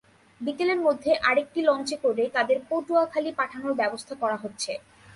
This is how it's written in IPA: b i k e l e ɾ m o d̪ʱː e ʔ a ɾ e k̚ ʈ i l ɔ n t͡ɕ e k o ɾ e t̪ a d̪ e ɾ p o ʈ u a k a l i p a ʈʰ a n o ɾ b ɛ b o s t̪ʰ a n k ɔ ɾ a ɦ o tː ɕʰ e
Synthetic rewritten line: b i k e l e ɾ m o d̪ʱː e ʔ a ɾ e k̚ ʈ i l ɔ n t͡ɕ e k o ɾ e t̪ a d̪ e ɾ p o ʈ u a kʰ a l i p a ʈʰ a n o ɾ b ɛ b o s t̪ʰ a k ɔ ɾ a ɦ o tː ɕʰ e